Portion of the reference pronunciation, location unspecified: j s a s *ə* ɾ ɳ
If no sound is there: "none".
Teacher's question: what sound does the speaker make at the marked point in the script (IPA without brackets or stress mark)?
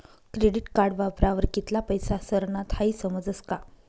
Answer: ə